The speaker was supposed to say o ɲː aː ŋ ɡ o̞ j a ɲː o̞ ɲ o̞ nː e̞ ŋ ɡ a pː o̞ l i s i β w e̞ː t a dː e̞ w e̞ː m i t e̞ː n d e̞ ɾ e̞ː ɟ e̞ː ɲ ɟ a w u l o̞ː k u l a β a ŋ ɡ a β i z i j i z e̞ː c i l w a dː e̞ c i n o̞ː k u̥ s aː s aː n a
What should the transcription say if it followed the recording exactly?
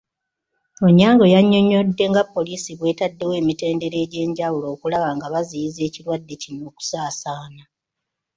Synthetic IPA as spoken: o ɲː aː ŋ ɡ o̞ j a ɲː o̞ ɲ o̞ dː e̞ ŋ ɡ a pː o̞ l i s i β w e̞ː t a dː e̞ w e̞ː m i t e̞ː n d e̞ ɾ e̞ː ɟ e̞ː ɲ ɟ a w u l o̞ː k u l a β a ŋ ɡ a β a z i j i z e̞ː c i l w a dː e̞ c i n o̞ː k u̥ s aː s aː n a